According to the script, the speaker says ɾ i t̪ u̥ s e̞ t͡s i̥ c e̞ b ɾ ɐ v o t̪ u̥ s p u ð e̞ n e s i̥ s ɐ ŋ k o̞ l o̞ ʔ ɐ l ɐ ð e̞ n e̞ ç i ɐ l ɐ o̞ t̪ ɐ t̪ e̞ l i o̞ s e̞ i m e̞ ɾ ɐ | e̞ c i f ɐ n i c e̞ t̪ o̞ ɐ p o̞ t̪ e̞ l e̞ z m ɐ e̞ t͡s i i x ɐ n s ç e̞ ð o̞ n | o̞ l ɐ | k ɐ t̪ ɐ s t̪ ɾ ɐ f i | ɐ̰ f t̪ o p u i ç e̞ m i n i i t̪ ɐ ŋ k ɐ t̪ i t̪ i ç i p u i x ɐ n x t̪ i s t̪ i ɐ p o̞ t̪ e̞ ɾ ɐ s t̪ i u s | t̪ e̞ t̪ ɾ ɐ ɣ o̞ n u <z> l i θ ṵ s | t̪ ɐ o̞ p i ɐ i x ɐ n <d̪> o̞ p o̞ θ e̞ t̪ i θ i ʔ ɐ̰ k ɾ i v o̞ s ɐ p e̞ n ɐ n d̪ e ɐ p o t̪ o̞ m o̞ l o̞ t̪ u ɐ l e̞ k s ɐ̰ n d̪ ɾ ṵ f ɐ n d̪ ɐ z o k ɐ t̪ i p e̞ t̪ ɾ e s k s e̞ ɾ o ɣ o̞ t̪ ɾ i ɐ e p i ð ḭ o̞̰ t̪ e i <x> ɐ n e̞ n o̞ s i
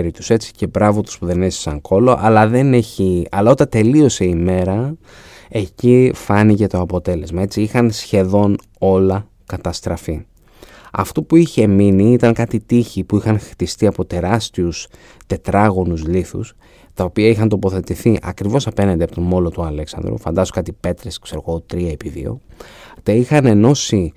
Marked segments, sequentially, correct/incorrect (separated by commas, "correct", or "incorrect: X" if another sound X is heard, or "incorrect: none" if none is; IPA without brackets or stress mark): correct, incorrect: t̪, correct